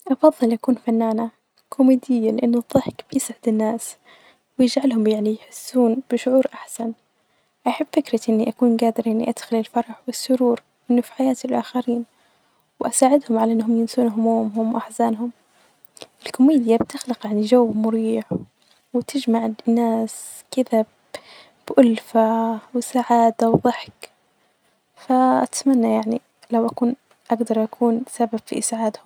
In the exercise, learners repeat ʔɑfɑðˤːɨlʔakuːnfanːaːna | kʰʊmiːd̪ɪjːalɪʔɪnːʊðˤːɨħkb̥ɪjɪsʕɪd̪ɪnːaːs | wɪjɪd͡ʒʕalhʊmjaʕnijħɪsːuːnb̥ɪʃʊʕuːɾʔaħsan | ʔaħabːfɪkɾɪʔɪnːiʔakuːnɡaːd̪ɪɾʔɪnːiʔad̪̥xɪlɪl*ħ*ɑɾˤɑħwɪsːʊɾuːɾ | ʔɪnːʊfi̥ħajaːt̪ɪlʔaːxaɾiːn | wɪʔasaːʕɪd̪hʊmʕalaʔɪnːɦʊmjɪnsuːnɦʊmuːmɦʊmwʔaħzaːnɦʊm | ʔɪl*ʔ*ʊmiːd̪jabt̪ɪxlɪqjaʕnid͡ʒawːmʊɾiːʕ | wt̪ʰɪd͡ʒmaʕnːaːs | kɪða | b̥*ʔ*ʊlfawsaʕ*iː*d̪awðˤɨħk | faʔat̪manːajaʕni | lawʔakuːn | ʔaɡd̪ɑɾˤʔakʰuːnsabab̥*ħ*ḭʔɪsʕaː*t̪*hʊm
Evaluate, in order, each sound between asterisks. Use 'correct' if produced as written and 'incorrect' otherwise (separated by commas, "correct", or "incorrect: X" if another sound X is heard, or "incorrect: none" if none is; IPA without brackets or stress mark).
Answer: incorrect: f, incorrect: k, correct, incorrect: aː, incorrect: f, incorrect: d̪